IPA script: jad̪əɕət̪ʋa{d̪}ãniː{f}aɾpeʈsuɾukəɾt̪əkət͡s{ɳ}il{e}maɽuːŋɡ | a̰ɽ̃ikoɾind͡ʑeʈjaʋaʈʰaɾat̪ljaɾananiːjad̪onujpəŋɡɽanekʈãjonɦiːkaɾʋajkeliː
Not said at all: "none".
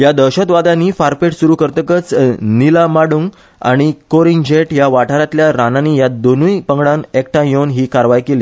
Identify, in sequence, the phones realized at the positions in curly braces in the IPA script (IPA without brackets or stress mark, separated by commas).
d̪, f, n, a